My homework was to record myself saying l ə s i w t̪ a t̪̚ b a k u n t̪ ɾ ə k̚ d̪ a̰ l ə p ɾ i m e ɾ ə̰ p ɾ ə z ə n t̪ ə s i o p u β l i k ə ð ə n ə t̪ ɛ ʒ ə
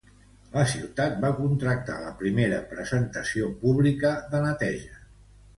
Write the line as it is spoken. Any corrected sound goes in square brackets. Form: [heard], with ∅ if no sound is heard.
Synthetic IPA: l ə s i w t̪ a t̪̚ b a k u n t̪ ɾ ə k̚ [t̪] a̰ l ə p ɾ i m e ɾ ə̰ p ɾ ə z ə n t̪ ə s i o p u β l i k ə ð ə n ə t̪ ɛ ʒ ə